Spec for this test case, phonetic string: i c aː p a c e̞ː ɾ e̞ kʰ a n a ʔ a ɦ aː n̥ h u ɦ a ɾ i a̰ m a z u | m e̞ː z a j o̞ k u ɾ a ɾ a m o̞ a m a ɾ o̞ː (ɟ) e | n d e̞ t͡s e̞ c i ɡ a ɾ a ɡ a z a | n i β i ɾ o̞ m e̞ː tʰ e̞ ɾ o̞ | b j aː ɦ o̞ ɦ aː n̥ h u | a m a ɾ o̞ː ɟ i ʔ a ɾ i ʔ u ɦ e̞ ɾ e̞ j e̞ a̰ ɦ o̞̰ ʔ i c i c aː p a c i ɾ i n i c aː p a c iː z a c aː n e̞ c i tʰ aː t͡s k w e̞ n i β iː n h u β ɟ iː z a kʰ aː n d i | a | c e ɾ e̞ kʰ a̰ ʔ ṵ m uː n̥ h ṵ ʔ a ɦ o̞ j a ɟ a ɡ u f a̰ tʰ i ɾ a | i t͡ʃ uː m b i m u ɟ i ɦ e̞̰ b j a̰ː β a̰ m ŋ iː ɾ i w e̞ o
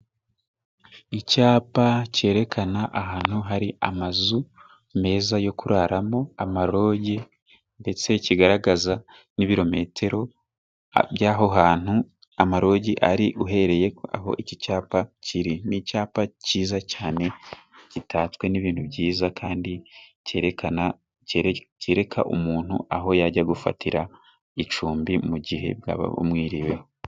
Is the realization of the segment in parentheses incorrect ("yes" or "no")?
no